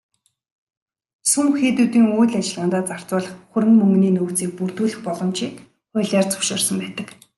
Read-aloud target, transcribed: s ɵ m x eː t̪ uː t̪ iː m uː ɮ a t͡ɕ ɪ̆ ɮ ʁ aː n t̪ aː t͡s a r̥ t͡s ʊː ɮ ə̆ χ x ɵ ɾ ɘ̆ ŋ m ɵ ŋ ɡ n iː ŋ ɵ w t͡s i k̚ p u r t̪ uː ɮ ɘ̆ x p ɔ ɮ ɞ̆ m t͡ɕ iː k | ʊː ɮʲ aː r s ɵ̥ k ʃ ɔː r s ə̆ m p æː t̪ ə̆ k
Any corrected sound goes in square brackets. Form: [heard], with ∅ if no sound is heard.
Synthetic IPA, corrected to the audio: s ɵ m x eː t̪ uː t̪ iː [ŋ] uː ɮ a t͡ɕ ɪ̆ ɮ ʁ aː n t̪ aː t͡s a r̥ t͡s ʊː ɮ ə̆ χ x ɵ ɾ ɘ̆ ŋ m ɵ ŋ ɡ n iː [n] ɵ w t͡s [iː] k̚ p u r t̪ uː ɮ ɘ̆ x p ɔ ɮ ɞ̆ m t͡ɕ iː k | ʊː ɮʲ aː r [t͡s] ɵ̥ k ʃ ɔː r s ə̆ m p æː t̪ ə̆ k